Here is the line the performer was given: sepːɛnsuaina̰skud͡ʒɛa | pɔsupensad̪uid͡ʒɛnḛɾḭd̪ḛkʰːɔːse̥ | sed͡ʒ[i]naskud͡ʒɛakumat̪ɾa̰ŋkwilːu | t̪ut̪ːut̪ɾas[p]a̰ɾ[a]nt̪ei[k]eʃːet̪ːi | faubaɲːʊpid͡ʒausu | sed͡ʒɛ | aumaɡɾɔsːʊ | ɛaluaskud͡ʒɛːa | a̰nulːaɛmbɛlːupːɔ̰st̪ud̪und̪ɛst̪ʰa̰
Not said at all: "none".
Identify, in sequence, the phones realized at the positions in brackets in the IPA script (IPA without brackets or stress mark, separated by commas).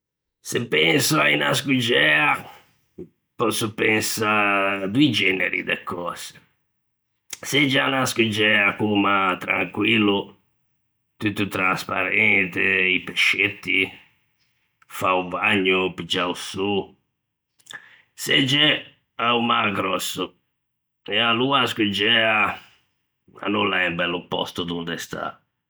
a, p, ɛ, p